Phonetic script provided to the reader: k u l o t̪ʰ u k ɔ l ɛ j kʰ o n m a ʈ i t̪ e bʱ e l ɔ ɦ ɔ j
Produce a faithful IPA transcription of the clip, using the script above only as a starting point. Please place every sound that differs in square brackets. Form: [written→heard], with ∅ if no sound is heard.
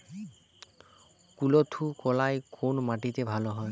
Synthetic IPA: k u l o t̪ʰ u k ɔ l [ɛ→a] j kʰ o n m a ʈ i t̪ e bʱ [e→a] l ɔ ɦ ɔ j